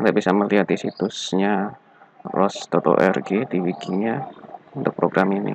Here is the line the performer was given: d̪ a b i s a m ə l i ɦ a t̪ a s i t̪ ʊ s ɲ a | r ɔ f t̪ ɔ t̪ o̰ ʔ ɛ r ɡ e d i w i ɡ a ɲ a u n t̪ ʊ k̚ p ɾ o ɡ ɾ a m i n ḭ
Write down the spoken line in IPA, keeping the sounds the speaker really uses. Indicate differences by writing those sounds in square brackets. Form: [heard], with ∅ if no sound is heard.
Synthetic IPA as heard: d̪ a b i s a m ə l i ɦ a t̪ [i] s i t̪ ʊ s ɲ a | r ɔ [s] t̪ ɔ t̪ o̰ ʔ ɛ r ɡ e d i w i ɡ [i] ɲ a u n t̪ ʊ k̚ p ɾ o ɡ ɾ a m i n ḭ